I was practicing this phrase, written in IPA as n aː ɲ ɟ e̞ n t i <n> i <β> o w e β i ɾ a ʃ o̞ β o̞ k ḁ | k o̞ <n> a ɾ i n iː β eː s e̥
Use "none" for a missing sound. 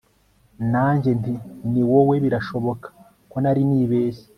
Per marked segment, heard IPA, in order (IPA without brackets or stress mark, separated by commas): n, w, n